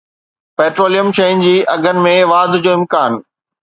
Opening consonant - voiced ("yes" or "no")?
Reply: no